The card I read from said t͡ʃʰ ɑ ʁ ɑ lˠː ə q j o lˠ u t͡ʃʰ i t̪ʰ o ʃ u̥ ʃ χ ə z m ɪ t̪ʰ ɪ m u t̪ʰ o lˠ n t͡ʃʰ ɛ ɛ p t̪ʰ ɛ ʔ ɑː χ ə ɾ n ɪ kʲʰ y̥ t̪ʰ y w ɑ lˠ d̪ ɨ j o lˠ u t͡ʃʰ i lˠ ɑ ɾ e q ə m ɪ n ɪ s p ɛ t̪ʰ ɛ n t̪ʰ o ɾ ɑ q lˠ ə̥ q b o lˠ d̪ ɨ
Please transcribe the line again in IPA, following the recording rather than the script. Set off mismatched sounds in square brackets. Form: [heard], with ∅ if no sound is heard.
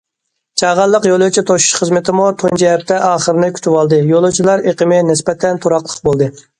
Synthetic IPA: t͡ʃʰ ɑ ʁ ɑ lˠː ə q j o lˠ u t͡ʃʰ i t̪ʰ o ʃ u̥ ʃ χ ə z m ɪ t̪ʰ ɪ m u t̪ʰ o [∅] n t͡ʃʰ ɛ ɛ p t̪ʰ ɛ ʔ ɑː χ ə ɾ n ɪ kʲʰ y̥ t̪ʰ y w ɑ lˠ d̪ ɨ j o lˠ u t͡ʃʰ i lˠ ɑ ɾ e q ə m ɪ n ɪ s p ɛ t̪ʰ ɛ n t̪ʰ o ɾ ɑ q lˠ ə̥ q b o lˠ d̪ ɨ

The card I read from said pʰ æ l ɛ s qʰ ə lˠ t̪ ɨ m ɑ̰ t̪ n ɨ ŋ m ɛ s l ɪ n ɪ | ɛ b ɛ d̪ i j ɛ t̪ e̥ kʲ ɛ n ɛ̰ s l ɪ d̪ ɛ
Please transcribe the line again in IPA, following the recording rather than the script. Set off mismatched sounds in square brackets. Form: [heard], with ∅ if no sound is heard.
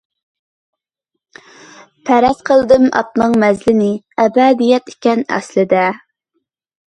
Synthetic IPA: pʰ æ [ɾ] ɛ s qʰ ə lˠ [d̪] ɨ m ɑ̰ t̪ n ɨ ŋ m ɛ [z] l ɪ n ɪ | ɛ b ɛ d̪ i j ɛ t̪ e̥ kʲ ɛ n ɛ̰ s l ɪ d̪ ɛ

